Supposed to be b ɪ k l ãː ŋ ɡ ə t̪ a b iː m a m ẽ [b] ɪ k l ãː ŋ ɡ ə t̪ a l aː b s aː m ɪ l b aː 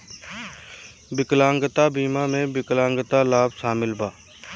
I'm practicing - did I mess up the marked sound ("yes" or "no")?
no